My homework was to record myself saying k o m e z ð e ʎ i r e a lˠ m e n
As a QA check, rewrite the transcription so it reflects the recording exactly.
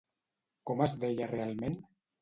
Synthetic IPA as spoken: k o m a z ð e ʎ a r e a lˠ m e n